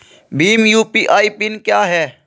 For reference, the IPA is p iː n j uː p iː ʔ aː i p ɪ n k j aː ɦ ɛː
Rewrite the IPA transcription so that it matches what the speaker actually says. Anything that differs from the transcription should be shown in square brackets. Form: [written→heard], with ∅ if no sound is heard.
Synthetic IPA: [p→b] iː [n→m] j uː p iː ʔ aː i p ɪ n k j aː ɦ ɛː